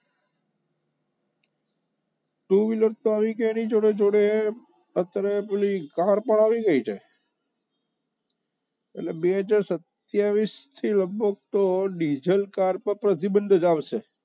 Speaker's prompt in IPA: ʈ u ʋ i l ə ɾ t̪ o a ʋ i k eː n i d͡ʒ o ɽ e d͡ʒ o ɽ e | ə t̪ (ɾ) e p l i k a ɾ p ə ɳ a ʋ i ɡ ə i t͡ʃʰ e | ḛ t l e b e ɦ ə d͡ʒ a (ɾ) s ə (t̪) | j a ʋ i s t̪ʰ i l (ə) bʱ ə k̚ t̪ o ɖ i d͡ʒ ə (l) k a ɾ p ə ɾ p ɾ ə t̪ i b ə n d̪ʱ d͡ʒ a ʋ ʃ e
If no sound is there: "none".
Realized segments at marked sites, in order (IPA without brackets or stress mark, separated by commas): ɾ, ɾ, t̪, ə, l